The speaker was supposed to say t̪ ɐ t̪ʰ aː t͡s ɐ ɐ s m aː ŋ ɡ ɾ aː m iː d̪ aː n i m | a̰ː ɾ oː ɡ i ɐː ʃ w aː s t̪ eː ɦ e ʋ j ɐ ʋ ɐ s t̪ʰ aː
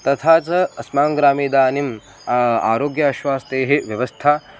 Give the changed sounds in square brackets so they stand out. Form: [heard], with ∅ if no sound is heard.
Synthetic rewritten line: t̪ ɐ t̪ʰ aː t͡s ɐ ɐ s m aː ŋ ɡ ɾ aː m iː d̪ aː n i m | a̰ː ɾ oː ɡ [j] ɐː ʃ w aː s t̪ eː ɦ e ʋ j ɐ ʋ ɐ s t̪ʰ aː